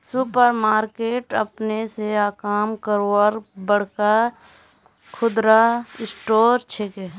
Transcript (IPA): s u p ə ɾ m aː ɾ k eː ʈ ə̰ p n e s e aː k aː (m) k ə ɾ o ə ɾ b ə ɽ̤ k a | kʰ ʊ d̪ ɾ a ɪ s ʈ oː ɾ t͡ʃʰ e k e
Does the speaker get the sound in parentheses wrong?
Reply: no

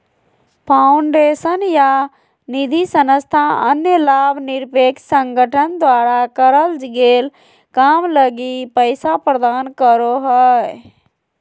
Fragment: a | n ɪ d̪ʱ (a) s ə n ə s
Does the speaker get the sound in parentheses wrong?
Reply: yes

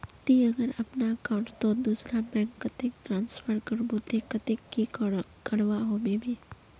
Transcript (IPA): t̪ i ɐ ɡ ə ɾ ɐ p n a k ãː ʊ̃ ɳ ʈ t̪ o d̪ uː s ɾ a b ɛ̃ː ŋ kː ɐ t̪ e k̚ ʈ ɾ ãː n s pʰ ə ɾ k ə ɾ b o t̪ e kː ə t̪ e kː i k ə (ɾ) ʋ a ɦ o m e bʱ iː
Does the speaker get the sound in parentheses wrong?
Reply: yes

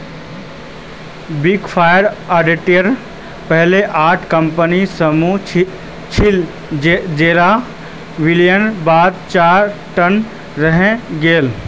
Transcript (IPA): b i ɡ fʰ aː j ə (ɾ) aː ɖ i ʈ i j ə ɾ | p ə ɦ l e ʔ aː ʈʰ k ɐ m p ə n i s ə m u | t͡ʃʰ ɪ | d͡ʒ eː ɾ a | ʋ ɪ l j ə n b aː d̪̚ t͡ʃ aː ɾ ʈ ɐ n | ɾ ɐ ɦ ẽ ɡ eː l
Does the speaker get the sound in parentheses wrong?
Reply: no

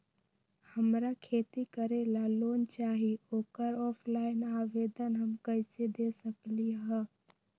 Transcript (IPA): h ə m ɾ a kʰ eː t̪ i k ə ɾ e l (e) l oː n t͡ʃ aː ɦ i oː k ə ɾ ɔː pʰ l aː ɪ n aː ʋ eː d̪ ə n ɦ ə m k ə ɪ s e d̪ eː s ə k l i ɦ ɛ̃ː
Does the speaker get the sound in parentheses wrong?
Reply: yes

